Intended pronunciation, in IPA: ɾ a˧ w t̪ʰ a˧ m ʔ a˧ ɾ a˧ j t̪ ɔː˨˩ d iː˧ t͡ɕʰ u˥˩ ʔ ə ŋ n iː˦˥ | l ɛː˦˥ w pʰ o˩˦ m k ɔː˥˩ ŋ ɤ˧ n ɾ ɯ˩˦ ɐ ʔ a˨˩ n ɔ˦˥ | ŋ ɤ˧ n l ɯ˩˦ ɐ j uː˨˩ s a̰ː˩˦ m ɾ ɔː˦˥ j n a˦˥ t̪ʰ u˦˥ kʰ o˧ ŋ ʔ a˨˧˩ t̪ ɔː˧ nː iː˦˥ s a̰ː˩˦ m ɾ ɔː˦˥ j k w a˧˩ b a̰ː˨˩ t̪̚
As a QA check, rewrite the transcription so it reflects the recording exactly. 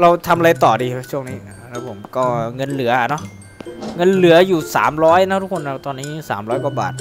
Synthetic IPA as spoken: ɾ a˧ w t̪ʰ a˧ m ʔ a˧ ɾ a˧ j t̪ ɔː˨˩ d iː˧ t͡ɕʰ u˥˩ ə ŋ n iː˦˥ | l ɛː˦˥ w pʰ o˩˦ m k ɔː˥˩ ŋ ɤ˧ n l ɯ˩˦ ɐ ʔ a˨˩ n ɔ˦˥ | ŋ ɤ˧ n l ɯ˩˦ ɐ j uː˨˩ s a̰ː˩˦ m ɾ ɔː˦˥ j n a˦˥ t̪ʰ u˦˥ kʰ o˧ n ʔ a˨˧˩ t̪ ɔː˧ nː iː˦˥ s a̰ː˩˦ m ɾ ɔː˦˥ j k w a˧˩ b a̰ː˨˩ t̪̚

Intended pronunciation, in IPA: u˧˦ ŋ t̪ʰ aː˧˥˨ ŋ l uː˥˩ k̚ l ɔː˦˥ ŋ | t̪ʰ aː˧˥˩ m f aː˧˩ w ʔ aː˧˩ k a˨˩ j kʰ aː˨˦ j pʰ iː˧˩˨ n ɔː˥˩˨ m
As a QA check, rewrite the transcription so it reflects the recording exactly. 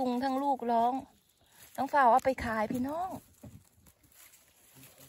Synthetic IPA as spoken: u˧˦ ŋ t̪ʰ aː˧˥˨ ŋ l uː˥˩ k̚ l ɔː˦˥ ŋ | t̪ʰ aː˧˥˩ ŋ f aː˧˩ w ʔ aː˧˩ p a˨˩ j kʰ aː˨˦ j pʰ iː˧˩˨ n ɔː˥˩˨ ŋ

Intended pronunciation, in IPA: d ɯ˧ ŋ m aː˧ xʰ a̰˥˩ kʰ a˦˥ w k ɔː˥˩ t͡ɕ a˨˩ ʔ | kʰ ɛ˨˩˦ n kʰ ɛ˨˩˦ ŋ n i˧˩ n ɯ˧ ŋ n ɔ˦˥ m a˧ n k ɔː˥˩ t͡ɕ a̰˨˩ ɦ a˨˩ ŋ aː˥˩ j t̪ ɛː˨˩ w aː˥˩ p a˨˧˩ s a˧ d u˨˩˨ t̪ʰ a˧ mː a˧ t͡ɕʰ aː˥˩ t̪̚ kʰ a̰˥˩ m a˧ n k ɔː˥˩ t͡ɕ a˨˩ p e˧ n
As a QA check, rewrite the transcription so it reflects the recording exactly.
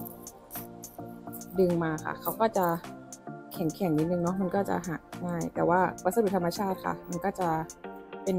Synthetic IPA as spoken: d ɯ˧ ŋ m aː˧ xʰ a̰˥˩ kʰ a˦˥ w k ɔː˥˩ t͡ɕ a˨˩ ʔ | kʰ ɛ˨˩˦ ŋ kʰ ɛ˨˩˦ ŋ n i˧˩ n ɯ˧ ŋ n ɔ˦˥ m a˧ n k ɔː˥˩ t͡ɕ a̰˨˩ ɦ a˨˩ ŋ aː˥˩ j t̪ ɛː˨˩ w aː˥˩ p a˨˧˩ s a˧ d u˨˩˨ t̪ʰ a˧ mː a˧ t͡ɕʰ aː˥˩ t̪̚ kʰ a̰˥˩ m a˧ n k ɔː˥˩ t͡ɕ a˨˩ p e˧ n

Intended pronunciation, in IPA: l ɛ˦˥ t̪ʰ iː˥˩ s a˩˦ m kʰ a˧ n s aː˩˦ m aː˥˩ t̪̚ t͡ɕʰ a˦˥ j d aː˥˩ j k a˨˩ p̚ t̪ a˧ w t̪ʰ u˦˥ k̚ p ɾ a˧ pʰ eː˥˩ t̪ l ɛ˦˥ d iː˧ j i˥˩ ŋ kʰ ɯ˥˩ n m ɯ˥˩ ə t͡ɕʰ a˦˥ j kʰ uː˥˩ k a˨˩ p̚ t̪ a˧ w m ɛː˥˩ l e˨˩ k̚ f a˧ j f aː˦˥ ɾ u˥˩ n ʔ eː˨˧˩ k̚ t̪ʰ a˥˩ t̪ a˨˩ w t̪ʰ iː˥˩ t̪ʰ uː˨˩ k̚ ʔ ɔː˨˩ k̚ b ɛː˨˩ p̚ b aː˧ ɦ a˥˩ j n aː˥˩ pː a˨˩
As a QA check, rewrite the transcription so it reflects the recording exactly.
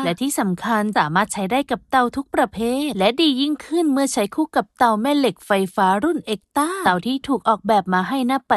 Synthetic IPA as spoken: l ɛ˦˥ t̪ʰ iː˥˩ s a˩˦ m kʰ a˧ n s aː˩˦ m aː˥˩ t̪̚ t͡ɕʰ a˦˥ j d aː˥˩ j k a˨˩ p̚ t̪ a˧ w t̪ʰ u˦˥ k̚ p ɾ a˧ pʰ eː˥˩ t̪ l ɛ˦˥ d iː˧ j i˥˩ ŋ kʰ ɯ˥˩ n m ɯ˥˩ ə t͡ɕʰ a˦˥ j kʰ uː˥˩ k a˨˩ p̚ t̪ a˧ w m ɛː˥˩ l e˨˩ k̚ f a˧ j f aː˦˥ ɾ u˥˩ n ʔ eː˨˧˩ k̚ t̪ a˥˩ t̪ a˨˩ w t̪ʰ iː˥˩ t̪ʰ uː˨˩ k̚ ʔ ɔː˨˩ k̚ b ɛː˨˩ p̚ m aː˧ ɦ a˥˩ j n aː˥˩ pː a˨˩

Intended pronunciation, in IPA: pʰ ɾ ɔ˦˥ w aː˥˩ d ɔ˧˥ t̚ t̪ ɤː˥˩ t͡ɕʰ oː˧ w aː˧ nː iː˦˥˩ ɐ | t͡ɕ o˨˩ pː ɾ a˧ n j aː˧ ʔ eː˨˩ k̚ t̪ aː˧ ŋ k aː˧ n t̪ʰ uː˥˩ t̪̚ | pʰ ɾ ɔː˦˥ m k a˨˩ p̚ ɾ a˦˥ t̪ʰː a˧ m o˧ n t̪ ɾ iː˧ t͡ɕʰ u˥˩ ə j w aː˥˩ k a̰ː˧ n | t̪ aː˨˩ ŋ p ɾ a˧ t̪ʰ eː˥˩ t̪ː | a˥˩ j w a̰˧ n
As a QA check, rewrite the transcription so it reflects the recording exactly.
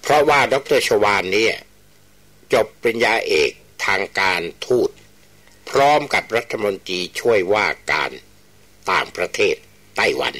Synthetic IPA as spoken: pʰ ɾ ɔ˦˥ w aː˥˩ d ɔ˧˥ k̚ t̪ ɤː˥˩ t͡ɕʰ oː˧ w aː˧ nː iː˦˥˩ ɐ | t͡ɕ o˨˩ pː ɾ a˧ n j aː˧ ʔ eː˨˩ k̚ t̪ʰ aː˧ ŋ k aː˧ n t̪ʰ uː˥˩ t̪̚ | pʰ ɾ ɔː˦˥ m k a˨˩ p̚ ɾ a˦˥ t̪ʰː a˧ m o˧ n t̪ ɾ iː˧ t͡ɕʰ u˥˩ ə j w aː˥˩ k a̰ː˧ n | t̪ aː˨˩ ŋ p ɾ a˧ t̪ʰ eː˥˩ t̪ː | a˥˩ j w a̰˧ n

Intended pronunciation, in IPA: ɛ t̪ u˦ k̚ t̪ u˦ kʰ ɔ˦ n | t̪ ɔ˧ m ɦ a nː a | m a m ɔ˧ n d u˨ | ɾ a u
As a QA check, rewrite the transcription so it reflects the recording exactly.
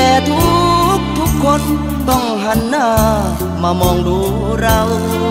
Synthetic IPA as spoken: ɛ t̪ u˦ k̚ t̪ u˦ k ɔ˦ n | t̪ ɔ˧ ŋ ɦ a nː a | m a m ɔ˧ ŋ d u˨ | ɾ a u

